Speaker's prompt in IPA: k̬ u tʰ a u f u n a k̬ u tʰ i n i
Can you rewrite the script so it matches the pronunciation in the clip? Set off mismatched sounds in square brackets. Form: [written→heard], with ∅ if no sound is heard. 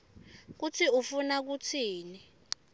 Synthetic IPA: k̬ u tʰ [a→i] u f u n a k̬ u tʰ [i→iː] n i